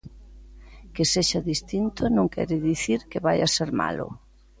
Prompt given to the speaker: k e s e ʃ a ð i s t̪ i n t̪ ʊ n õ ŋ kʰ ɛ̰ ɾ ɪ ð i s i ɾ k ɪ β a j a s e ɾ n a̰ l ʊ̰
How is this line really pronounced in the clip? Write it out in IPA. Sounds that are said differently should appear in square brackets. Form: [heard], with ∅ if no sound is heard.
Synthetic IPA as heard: k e s e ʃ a ð i s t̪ i n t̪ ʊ n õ ŋ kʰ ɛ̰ ɾ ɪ ð i [θ] i ɾ k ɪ β a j a s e ɾ [m] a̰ l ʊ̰